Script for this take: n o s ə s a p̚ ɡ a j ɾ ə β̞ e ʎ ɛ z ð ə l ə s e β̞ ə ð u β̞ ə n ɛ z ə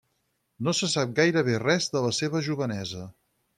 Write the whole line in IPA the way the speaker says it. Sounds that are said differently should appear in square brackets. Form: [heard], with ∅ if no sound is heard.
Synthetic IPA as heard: n o s ə s a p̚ ɡ a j ɾ ə β̞ e [r] ɛ z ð ə l ə s e β̞ ə [ʒ] u β̞ ə n ɛ z ə